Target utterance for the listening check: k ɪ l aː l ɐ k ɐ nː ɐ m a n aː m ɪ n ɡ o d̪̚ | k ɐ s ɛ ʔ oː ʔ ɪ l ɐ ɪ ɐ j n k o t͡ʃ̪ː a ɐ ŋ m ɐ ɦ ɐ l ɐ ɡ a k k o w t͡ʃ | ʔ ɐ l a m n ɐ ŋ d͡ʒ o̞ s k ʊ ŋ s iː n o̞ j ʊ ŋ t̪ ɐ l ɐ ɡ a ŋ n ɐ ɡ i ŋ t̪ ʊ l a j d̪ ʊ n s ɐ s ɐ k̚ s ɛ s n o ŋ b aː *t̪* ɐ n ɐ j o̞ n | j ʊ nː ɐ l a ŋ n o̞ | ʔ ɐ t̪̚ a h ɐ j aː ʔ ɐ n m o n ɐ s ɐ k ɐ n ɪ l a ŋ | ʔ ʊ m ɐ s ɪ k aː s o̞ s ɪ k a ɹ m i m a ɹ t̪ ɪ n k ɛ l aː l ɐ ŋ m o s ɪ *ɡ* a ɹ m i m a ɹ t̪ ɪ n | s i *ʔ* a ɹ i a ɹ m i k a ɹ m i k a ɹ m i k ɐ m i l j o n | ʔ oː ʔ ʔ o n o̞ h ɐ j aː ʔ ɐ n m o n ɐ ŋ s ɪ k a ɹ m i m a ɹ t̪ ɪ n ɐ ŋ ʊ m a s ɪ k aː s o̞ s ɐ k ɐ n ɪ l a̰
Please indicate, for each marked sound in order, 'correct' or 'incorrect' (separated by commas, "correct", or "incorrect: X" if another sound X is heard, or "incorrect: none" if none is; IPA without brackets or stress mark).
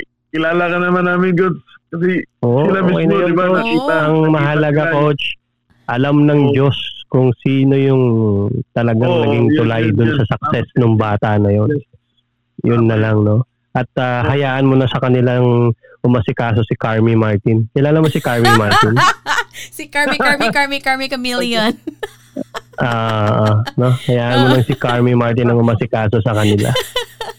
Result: correct, incorrect: k, incorrect: k